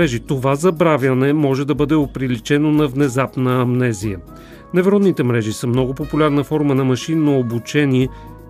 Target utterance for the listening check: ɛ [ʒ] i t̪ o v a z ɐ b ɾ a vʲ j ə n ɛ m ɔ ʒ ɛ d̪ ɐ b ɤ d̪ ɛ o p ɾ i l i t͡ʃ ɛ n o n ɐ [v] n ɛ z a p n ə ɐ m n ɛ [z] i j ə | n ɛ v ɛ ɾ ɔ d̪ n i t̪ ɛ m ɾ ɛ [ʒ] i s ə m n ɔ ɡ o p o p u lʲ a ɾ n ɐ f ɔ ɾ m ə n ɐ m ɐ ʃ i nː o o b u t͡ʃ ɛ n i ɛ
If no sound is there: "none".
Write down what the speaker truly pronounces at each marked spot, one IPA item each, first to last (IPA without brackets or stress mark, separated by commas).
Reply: ʒ, v, z, ʒ